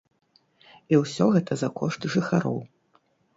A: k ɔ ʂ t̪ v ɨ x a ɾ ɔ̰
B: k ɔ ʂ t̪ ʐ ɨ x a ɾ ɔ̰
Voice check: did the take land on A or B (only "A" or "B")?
B